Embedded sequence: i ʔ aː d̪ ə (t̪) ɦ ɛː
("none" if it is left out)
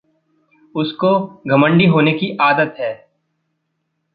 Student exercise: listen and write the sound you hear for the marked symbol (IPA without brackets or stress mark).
t̪